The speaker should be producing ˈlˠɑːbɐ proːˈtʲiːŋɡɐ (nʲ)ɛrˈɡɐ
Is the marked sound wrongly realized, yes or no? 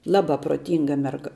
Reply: yes